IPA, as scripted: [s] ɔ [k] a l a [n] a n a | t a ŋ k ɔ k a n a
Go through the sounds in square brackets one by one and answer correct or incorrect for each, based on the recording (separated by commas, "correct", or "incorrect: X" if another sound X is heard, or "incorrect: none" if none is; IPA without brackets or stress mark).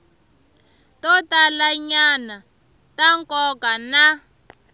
incorrect: t, incorrect: t, incorrect: ɲ